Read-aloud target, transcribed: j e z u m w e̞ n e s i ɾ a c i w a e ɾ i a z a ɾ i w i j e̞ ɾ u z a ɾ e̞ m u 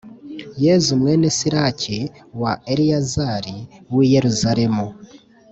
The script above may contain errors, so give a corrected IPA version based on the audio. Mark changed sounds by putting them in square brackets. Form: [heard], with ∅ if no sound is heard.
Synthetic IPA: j e z u m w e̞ n e s i ɾ a c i w a e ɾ i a z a ɾ i w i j e̞ ɾ u z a ɾ e̞ m u